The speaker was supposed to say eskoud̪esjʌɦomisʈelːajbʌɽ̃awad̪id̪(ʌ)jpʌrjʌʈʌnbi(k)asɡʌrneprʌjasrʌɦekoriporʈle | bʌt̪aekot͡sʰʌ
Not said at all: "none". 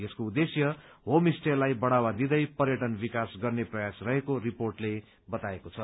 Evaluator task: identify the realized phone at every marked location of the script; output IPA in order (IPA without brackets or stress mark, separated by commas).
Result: ʌ, k